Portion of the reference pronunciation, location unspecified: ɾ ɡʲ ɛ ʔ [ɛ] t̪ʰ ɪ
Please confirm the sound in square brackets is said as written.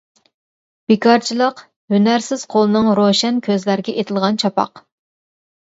no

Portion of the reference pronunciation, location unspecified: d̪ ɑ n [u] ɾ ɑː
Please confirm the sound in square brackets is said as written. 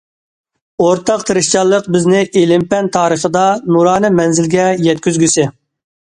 yes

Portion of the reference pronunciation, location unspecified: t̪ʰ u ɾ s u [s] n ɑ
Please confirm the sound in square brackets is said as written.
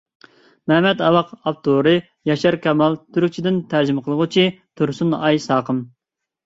no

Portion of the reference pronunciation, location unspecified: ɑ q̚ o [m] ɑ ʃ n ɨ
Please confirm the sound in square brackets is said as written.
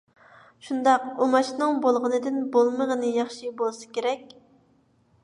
yes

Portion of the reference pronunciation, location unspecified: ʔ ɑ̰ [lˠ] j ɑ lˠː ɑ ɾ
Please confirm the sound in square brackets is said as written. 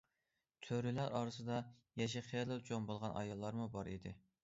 no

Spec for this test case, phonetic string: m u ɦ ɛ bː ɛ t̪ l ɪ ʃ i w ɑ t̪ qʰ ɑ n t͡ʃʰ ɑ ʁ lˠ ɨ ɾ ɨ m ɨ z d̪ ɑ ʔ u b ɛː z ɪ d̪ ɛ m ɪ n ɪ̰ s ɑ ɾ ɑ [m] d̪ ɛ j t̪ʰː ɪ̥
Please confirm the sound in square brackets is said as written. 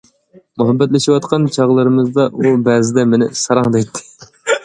no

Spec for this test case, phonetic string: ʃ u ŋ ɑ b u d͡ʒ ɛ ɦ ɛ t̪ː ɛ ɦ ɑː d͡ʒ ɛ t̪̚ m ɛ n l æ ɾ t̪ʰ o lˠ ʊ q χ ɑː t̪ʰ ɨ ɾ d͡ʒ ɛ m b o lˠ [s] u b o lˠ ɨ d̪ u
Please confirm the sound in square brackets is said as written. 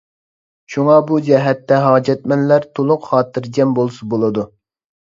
yes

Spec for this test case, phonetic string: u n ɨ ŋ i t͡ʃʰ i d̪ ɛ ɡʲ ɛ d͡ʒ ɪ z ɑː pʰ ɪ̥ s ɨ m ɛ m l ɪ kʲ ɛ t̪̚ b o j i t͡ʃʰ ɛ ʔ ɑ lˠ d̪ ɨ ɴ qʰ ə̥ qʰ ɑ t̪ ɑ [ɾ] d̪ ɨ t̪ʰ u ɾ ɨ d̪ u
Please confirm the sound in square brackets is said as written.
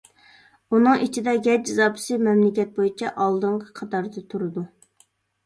yes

